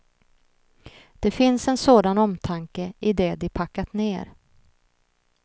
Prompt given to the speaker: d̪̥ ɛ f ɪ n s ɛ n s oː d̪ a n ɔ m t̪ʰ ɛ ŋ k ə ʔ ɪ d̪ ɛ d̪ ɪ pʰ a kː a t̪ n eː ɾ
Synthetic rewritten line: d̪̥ ɛ f ɪ n s ɛ n s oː d̪ a n ɔ m t̪ʰ a ŋ k ə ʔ ɪ d̪ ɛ d̪ ɪ pʰ a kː a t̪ n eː ɾ